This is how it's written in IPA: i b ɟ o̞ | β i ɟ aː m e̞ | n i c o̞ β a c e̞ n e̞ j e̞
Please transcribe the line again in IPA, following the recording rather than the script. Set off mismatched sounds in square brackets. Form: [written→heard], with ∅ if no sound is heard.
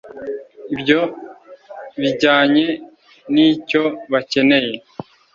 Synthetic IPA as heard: i b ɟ o̞ | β i ɟ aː [m→ɲ] e̞ | n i c o̞ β a c e̞ n e̞ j e̞